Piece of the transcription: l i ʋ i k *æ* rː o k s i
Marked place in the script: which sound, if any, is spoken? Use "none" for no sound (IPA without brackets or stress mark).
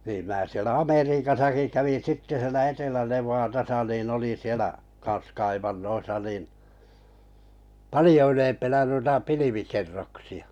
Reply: e